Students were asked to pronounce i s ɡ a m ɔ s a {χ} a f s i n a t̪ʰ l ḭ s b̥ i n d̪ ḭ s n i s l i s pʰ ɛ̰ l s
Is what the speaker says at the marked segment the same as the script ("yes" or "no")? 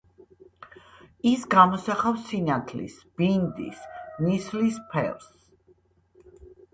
yes